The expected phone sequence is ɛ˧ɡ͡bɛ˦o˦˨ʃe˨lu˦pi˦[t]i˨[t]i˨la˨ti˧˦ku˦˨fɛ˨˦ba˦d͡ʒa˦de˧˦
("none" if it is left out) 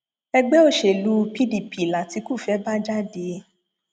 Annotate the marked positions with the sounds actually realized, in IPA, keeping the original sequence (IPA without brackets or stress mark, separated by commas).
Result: d, p